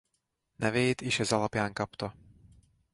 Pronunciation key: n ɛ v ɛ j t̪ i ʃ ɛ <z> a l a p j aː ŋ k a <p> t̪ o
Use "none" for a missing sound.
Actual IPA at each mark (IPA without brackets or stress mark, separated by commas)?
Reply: z, p